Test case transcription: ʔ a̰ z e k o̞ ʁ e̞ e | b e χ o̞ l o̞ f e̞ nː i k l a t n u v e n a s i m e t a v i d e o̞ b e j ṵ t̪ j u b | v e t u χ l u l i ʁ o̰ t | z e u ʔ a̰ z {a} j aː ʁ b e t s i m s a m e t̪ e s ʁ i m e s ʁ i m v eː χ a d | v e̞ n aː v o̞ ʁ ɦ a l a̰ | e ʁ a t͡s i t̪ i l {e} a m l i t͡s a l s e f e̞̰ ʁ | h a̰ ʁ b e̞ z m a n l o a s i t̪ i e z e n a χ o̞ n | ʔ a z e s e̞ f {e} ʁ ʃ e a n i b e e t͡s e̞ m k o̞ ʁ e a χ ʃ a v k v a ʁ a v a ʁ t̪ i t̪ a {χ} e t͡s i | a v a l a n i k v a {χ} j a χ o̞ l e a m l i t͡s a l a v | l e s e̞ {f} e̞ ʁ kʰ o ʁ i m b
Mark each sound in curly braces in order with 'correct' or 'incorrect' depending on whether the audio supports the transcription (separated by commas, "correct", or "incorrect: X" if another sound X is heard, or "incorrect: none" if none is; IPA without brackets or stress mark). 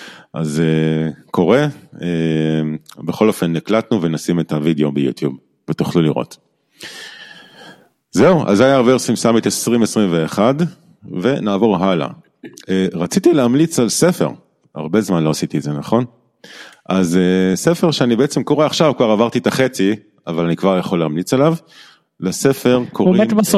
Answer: correct, correct, correct, correct, incorrect: ʁ, correct